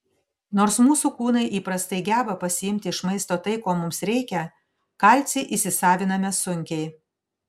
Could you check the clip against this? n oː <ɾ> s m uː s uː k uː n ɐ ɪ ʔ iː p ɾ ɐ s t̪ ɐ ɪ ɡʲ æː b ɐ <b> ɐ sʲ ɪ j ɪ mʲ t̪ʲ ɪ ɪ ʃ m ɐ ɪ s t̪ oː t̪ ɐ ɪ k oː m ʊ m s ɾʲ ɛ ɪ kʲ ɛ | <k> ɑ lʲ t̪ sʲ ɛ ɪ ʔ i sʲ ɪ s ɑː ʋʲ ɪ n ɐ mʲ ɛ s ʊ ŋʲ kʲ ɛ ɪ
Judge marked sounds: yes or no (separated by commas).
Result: yes, no, yes